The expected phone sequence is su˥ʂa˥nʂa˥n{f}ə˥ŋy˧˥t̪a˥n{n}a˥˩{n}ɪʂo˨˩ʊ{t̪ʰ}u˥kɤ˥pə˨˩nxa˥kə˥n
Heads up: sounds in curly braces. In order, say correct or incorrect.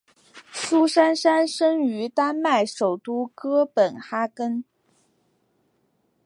incorrect: ʂ, incorrect: m, incorrect: none, incorrect: t̪

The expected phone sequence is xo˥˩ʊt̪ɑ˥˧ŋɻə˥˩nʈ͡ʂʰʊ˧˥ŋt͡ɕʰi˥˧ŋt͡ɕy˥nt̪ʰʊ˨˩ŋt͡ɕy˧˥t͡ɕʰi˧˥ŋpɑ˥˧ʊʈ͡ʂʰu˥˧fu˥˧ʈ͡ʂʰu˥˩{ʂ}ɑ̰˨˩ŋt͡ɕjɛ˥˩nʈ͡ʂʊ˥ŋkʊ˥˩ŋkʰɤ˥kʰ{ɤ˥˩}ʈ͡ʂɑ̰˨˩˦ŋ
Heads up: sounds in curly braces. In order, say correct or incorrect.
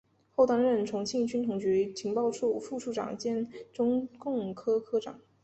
incorrect: ʈ͡ʂ, incorrect: ɤ˥

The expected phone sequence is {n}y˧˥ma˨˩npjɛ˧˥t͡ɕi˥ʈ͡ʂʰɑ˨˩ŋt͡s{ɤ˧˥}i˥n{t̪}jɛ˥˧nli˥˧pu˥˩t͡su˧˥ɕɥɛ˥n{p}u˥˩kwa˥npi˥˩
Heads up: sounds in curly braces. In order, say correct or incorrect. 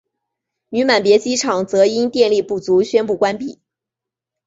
correct, correct, correct, correct

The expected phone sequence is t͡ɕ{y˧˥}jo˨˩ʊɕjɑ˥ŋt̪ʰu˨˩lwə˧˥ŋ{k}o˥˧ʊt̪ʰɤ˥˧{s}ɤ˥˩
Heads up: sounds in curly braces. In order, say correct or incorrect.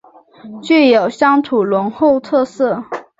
incorrect: y˥˩, incorrect: x, correct

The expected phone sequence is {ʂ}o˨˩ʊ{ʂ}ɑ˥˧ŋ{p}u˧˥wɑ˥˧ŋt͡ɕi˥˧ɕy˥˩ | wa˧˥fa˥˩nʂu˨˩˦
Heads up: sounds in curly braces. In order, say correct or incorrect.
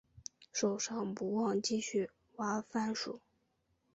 correct, correct, correct

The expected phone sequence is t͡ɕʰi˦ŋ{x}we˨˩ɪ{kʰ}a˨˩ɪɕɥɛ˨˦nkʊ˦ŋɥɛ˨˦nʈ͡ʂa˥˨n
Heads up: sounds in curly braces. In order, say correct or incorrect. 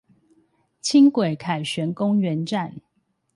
incorrect: k, correct

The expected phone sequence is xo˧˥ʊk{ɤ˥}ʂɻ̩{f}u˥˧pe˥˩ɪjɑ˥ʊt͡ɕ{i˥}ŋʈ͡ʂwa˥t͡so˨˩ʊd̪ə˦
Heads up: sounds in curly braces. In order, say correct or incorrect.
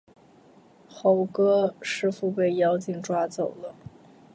correct, correct, incorrect: i˨˩

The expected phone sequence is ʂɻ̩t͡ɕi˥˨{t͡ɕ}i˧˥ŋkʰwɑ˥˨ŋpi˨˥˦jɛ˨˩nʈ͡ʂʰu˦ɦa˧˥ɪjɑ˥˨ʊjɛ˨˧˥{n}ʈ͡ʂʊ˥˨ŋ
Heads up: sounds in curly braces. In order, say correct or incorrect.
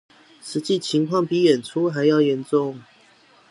incorrect: t͡ɕʰ, correct

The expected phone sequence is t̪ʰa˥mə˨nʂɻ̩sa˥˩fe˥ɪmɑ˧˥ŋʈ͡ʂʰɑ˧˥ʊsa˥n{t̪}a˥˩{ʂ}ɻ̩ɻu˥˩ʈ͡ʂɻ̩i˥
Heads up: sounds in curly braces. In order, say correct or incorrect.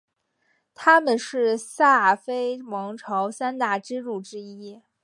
correct, incorrect: ʈ͡ʂ

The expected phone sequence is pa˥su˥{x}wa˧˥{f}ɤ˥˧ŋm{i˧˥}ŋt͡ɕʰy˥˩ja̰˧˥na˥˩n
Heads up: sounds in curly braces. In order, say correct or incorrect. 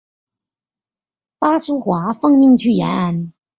correct, correct, incorrect: i˥˧

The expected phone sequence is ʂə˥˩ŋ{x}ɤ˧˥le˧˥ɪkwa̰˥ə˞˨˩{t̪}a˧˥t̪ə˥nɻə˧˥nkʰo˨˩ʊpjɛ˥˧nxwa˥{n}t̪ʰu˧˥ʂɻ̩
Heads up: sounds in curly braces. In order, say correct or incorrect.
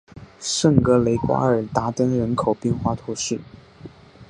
incorrect: k, correct, incorrect: none

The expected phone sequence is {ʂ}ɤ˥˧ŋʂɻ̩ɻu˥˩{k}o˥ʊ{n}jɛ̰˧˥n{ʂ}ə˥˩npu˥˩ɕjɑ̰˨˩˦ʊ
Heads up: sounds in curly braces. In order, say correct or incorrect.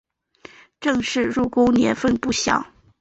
incorrect: ʈ͡ʂ, correct, correct, incorrect: f

